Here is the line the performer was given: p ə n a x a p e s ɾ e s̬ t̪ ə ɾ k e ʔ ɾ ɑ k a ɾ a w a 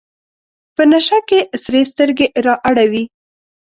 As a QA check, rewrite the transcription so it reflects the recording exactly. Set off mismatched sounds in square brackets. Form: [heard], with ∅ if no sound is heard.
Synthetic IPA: p ə n a [ʃ] a [k] e s ɾ e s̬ t̪ ə ɾ [ɡ] e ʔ ɾ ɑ [ʔ] a [ɽ] a w [i]